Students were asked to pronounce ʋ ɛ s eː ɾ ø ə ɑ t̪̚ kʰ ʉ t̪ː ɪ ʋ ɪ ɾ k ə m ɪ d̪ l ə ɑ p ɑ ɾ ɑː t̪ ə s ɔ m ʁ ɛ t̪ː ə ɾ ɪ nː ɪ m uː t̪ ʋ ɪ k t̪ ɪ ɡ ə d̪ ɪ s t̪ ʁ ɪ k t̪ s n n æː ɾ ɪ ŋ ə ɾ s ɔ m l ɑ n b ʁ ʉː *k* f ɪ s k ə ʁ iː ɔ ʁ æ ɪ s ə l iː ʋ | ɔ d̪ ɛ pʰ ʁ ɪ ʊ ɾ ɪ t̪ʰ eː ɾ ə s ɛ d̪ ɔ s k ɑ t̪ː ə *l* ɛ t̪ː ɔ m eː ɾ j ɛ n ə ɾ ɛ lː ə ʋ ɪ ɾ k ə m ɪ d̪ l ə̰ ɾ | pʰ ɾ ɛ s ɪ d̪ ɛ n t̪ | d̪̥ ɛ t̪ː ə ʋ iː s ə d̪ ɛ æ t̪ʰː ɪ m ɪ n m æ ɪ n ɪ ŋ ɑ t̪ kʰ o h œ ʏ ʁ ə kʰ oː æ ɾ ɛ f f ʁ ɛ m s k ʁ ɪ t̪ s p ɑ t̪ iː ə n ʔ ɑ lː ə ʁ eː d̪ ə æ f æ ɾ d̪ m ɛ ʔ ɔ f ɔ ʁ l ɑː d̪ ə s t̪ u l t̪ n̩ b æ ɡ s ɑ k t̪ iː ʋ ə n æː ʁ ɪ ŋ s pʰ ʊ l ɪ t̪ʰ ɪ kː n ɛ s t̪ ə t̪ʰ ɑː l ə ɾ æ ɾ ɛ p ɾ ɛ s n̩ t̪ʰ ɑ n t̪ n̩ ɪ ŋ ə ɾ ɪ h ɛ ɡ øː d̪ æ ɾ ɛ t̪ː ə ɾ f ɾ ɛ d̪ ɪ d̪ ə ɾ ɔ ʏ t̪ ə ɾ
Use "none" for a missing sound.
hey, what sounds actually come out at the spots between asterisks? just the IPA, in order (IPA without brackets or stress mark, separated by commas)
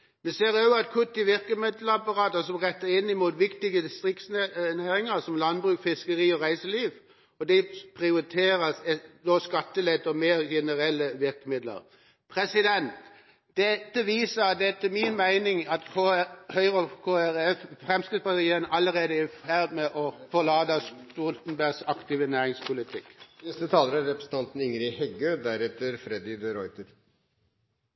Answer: k, l